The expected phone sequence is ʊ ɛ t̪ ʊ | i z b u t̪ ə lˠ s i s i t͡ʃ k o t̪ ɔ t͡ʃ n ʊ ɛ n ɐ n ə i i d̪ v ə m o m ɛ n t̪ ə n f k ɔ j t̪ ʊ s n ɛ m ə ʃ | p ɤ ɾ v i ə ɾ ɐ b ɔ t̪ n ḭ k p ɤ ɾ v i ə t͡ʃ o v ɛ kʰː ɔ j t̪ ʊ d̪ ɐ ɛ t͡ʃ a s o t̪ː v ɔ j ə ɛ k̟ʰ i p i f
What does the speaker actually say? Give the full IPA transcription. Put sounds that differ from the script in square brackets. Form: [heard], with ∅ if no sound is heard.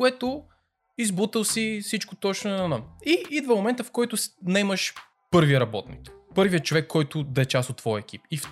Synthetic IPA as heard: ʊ ɛ t̪ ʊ | i z b u t̪ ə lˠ s i s i t͡ʃ k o t̪ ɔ t͡ʃ n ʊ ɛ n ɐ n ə i i d̪ v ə m o m ɛ n t̪ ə [∅] f k ɔ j t̪ ʊ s n ɛ m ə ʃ | p ɤ ɾ v i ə ɾ ɐ b ɔ t̪ n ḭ k p ɤ ɾ v i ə t͡ʃ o v ɛ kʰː ɔ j t̪ ʊ d̪ ɐ ɛ t͡ʃ a s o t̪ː v ɔ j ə ɛ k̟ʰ i p i f